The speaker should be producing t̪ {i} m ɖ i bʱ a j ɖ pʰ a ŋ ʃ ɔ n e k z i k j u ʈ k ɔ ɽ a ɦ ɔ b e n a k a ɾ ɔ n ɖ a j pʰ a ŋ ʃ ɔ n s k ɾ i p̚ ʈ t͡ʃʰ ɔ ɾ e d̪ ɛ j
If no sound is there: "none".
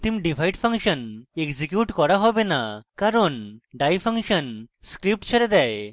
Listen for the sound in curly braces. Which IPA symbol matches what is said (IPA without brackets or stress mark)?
i